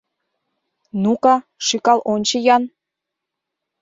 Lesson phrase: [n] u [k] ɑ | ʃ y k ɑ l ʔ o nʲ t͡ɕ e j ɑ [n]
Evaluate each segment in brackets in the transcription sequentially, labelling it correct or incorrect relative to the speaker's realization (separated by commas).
correct, correct, correct